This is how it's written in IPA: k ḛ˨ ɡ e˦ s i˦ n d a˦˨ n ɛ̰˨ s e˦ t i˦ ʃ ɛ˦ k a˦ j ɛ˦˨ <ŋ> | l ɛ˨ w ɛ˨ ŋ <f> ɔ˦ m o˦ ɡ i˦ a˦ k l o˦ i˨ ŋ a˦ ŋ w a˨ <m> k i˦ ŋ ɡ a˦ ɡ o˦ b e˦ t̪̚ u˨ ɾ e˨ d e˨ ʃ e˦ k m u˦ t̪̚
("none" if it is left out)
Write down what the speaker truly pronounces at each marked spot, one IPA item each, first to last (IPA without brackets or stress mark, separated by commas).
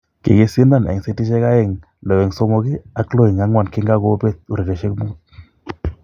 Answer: ŋ, s, n